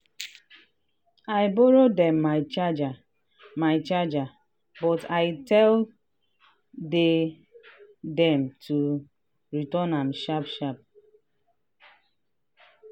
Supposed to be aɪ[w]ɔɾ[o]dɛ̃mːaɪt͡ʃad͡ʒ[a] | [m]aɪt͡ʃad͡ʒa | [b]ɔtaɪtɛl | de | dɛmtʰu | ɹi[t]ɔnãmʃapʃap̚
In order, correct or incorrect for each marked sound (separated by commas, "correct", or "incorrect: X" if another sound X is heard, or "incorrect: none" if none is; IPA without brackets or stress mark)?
incorrect: b, correct, correct, correct, correct, correct